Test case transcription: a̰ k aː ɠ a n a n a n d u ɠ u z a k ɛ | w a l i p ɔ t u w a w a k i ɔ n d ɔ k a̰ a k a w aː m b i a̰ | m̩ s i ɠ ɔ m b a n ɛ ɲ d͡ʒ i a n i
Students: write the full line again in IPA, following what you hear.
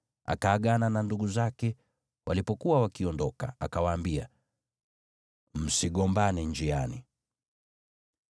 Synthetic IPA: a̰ k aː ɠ a n a n a n d u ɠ u z a k ɛ | w a l i p ɔ k u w a w a k i ɔ n d ɔ k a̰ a k a w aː m b i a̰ | m̩ s i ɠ ɔ m b a n ɛ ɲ d͡ʒ i a n i